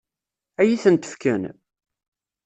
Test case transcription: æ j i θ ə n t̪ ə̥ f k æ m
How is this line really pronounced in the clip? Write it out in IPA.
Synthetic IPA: æ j i θ ə n t̪ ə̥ f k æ n